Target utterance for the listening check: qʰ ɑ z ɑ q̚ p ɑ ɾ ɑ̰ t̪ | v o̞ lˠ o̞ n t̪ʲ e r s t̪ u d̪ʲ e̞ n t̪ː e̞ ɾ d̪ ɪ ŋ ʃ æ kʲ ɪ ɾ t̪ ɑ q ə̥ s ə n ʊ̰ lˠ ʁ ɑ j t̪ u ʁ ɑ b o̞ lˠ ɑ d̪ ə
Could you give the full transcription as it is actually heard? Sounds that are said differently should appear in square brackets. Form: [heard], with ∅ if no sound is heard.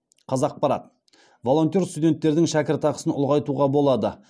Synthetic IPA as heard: qʰ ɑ z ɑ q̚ p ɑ ɾ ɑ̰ t̪ | v o̞ lˠ o̞ n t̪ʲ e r s t̪ u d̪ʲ e̞ n t̪ː e̞ ɾ d̪ ɪ ŋ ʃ æ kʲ ɪ ɾ t̪ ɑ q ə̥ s ə n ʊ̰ lˠ ʁ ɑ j t̪ u ʁ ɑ b o̞ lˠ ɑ d̪ ə